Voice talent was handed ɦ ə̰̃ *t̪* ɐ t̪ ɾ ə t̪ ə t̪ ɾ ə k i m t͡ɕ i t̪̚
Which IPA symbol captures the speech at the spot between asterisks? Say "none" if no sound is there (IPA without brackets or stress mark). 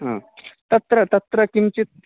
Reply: t̪